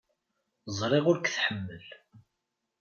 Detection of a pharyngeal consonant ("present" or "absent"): present